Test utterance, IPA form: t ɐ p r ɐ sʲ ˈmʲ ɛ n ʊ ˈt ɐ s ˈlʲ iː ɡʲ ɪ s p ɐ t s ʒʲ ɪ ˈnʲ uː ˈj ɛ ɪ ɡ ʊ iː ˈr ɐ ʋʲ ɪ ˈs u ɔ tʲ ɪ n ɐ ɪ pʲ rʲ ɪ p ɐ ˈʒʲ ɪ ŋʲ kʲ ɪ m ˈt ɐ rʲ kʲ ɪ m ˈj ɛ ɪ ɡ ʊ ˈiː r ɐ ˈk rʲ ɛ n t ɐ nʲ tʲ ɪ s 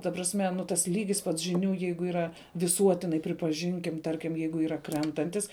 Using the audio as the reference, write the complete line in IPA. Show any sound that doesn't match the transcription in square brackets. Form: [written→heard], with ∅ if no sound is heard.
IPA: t ɐ p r ɐ sʲ ˈmʲ ɛ n ʊ ˈt ɐ s ˈlʲ iː ɡʲ ɪ s p ɐ t s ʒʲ ɪ ˈnʲ uː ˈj ɛ ɪ ɡ ʊ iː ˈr ɐ ʋʲ ɪ ˈs u ɔ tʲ ɪ n ɐ ɪ pʲ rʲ ɪ p ɐ ˈʒʲ ɪ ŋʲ kʲ ɪ m ˈt ɐ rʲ kʲ ɪ m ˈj ɛ ɪ ɡ ʊ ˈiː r ɐ ˈk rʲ ɛ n t ɐ nʲ tʲ ɪ s